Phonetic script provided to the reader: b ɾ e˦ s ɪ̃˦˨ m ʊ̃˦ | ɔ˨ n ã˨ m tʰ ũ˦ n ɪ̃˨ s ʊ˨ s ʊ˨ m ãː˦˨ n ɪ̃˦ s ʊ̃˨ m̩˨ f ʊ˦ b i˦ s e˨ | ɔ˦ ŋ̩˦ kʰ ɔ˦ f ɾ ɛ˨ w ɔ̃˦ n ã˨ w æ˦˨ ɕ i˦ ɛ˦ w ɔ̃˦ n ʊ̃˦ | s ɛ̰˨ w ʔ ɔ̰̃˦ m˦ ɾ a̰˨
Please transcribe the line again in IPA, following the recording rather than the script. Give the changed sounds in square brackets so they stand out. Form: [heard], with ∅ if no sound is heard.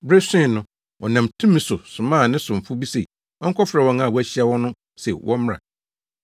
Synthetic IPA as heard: b ɾ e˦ s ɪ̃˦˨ [n] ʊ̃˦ | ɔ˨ n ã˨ m tʰ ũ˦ [m] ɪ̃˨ s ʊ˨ s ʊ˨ m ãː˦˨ n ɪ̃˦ s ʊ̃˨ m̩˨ f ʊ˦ b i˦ s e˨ | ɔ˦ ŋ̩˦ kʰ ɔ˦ f ɾ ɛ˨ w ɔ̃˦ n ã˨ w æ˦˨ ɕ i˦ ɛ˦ w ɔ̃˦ n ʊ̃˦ | s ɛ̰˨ w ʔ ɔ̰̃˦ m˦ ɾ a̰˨

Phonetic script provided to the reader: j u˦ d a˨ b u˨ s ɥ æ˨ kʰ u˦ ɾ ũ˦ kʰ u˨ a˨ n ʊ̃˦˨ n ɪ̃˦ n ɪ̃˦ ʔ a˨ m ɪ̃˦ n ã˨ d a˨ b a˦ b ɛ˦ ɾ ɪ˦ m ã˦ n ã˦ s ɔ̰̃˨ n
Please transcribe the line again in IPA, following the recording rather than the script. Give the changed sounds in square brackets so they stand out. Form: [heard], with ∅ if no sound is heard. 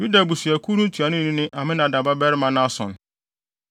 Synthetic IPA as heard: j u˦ d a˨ b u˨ s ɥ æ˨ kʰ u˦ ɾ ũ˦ [tʰ] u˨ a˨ n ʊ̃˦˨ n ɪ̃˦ n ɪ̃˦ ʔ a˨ m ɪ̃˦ n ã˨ d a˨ b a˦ b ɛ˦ ɾ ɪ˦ m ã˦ n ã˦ s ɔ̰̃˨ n

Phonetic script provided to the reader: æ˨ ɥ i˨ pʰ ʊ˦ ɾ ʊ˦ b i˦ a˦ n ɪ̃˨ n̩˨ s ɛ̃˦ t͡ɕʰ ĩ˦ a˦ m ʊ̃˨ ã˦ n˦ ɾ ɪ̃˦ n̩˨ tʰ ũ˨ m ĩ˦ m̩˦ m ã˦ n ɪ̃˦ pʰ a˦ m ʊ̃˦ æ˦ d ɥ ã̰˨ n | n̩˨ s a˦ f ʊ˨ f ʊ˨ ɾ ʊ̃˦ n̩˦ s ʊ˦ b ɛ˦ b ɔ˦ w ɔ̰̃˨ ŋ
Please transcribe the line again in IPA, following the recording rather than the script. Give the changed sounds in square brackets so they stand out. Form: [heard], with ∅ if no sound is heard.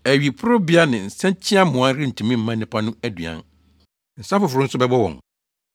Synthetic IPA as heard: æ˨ ɥ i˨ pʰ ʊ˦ ɾ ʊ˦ b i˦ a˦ n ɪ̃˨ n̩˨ s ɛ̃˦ t͡ɕʰ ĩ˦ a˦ m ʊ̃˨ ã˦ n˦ ɾ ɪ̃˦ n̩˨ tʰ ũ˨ m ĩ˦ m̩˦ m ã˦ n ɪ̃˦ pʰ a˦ [n] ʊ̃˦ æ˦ d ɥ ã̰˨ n | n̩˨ s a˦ f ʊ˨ f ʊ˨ ɾ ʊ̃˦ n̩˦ s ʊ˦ b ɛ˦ b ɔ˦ w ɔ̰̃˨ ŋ

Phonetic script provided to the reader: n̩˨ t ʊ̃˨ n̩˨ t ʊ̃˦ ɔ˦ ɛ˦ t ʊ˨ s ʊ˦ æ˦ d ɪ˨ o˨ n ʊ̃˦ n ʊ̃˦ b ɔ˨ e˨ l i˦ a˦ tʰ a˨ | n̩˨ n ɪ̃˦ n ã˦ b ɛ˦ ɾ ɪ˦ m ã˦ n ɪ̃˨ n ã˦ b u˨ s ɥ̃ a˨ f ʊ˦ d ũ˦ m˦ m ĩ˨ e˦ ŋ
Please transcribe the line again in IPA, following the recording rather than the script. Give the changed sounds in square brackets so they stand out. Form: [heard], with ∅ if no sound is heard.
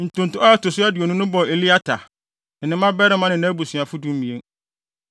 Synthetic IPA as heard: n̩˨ t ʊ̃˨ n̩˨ t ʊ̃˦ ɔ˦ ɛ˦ t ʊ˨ s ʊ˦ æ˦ d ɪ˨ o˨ n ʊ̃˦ n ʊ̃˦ b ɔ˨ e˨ l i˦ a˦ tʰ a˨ | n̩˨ n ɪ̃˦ [m] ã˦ b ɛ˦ ɾ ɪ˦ m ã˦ n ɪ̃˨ n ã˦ b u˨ s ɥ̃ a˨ f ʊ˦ d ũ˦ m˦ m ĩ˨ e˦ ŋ

